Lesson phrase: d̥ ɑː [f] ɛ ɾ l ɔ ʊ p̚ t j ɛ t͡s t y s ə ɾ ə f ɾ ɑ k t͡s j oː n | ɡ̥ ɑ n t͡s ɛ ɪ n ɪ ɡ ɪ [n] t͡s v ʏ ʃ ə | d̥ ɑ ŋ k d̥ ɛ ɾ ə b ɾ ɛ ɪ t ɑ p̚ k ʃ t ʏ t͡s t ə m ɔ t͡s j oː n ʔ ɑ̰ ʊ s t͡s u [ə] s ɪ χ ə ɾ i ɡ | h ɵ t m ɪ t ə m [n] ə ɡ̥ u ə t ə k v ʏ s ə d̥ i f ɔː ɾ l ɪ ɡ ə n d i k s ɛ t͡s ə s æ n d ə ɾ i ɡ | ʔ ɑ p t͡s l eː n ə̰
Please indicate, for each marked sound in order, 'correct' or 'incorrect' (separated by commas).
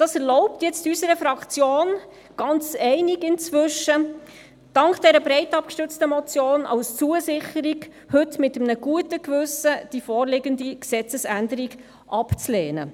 incorrect, correct, correct, correct